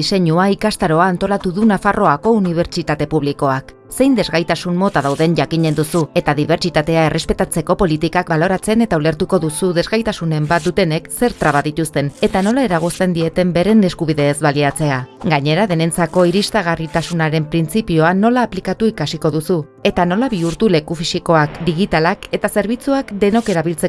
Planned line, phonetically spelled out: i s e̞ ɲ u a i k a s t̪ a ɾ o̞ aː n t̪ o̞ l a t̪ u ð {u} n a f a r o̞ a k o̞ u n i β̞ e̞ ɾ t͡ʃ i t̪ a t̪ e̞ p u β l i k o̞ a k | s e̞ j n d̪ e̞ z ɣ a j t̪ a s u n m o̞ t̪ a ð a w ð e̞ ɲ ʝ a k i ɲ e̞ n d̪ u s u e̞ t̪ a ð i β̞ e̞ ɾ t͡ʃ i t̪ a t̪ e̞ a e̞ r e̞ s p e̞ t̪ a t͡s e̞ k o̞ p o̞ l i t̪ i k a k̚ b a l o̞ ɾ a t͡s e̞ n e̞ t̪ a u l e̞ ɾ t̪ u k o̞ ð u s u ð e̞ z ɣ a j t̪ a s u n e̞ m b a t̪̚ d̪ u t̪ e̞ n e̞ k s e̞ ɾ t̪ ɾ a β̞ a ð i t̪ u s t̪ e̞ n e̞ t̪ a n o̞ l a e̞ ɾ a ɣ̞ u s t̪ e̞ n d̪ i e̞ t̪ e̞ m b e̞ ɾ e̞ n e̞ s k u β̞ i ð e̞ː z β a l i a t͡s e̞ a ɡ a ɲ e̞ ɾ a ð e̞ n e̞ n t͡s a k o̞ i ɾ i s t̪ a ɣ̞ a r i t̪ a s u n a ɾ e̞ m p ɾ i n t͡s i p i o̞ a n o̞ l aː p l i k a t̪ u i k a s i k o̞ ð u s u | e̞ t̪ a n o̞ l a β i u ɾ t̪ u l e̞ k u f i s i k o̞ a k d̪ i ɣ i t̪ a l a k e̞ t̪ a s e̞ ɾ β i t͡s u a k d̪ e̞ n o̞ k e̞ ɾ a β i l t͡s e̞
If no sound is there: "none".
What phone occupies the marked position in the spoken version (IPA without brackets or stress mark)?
u